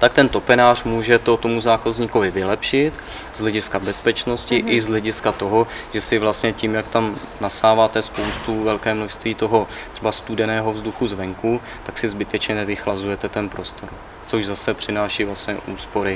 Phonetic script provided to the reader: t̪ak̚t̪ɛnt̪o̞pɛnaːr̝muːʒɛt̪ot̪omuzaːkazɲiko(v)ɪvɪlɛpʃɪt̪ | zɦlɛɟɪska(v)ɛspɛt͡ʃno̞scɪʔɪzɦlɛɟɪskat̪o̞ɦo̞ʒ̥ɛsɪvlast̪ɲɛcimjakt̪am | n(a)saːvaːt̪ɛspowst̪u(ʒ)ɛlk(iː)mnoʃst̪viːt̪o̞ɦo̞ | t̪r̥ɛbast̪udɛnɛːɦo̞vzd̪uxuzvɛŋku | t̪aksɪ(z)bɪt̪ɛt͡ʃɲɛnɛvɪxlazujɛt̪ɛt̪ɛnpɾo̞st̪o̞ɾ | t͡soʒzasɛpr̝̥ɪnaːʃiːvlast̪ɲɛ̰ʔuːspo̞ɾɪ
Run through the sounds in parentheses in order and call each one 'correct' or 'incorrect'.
correct, incorrect, correct, incorrect, incorrect, correct

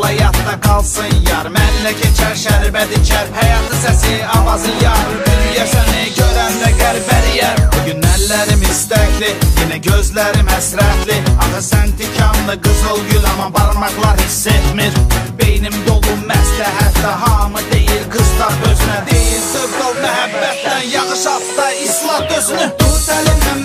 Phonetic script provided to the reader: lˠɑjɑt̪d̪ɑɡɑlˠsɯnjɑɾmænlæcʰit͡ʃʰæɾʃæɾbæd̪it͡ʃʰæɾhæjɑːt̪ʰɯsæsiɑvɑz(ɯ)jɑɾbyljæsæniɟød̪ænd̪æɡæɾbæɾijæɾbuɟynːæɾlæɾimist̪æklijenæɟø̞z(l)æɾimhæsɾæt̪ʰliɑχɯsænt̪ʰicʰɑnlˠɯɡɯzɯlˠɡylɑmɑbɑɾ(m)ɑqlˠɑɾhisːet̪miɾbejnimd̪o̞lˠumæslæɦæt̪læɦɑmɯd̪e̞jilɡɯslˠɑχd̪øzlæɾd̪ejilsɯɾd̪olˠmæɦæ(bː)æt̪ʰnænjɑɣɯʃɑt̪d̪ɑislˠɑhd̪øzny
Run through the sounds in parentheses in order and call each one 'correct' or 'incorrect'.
correct, correct, correct, correct

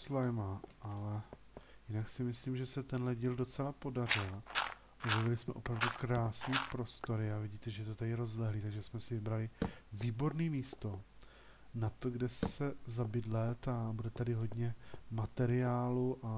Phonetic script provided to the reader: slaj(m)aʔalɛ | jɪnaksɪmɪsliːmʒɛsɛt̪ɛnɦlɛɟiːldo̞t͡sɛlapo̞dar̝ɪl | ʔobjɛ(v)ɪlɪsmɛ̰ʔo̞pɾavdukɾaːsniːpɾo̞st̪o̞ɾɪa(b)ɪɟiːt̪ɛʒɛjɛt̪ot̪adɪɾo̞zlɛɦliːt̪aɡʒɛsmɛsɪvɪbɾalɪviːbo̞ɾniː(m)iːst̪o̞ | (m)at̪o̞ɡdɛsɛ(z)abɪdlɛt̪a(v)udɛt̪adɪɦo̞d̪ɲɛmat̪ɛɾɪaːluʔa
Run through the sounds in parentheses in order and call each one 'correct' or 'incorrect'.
correct, correct, incorrect, correct, incorrect, correct, incorrect

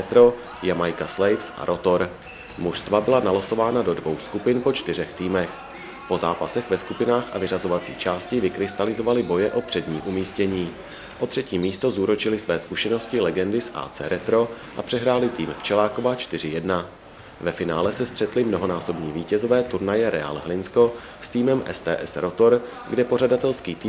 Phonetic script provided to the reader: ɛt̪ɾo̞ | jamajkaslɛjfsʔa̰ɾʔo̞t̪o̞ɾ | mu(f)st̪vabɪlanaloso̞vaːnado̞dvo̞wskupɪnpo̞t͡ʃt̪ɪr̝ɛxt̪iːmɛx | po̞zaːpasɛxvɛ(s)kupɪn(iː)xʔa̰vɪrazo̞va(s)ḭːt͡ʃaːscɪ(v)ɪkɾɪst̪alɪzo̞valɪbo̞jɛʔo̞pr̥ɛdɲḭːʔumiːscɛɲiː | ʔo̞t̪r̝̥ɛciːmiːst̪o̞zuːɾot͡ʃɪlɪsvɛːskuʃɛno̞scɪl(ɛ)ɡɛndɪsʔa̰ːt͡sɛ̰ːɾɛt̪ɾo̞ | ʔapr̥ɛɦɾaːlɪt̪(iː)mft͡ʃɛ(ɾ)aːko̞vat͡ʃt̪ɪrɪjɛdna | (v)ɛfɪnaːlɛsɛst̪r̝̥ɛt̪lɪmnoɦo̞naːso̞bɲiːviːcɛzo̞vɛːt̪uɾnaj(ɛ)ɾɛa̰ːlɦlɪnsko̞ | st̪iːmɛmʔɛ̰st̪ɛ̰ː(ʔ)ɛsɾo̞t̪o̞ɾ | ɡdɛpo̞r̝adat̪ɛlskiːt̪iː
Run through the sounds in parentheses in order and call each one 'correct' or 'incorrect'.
incorrect, correct, incorrect, incorrect, correct, correct, correct, incorrect, correct, correct, correct

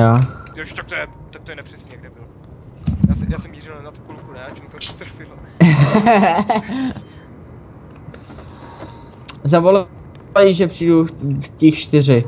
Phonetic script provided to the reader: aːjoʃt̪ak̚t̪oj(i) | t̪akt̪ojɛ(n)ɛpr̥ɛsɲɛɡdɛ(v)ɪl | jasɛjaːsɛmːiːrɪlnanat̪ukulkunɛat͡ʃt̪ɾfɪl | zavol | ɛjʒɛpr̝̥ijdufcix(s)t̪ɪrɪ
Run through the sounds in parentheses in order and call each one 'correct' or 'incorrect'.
incorrect, correct, incorrect, incorrect

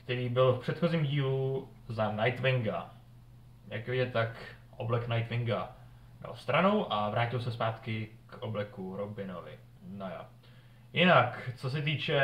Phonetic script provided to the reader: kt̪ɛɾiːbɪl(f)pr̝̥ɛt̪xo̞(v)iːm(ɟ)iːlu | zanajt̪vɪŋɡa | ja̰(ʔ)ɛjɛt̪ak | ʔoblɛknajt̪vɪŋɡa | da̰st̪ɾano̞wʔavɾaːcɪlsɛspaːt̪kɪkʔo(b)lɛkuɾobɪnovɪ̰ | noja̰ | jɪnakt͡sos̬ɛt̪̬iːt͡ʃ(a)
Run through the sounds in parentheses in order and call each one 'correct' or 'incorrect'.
correct, incorrect, correct, incorrect, correct, incorrect

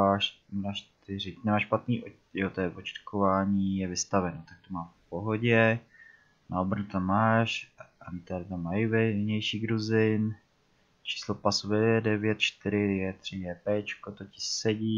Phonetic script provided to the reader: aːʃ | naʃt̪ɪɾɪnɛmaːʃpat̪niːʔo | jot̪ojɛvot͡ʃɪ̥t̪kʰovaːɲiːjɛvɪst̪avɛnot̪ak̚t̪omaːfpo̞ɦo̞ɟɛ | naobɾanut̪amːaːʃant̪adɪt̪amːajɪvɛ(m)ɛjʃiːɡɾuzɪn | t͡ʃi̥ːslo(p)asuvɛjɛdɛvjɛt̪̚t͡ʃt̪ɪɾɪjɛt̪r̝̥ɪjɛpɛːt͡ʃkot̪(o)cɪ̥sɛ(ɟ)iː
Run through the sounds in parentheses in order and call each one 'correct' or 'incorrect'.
incorrect, correct, correct, correct

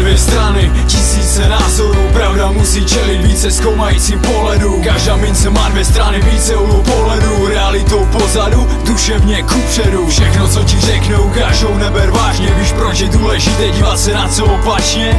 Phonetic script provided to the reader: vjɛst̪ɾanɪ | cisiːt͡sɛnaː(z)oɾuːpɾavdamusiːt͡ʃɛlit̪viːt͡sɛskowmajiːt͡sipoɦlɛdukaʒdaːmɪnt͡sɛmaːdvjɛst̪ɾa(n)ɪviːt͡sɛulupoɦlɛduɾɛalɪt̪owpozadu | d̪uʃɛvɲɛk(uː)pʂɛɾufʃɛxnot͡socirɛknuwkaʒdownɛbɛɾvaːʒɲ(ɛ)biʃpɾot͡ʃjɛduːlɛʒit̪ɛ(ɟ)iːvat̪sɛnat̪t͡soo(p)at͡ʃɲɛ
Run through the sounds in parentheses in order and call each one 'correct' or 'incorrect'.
correct, correct, incorrect, correct, correct, correct

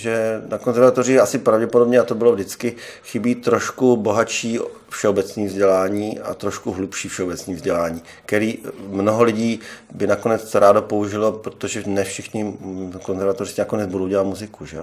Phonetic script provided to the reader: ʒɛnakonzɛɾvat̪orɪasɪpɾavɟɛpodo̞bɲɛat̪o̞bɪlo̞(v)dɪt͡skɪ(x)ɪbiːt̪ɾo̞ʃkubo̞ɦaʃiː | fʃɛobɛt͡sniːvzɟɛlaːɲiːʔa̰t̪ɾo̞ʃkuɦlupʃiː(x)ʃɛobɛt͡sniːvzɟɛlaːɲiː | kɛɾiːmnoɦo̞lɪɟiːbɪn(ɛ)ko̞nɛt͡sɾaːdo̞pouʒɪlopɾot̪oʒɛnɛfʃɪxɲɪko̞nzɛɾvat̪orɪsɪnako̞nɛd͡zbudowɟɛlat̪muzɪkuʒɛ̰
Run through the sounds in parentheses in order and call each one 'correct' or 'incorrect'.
correct, correct, incorrect, incorrect

